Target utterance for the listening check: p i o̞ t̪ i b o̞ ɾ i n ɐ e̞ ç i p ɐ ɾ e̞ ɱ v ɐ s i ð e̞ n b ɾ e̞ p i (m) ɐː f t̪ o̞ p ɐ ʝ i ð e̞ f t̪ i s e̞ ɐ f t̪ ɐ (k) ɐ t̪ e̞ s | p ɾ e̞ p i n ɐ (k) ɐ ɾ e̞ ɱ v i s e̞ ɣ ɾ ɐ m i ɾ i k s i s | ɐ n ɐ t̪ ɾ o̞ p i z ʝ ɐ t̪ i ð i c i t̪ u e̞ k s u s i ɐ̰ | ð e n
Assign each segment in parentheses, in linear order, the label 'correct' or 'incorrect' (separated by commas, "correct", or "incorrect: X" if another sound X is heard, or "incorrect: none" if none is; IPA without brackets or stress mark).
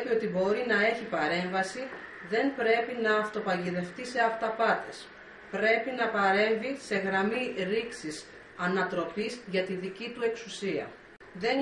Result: incorrect: n, incorrect: p, incorrect: p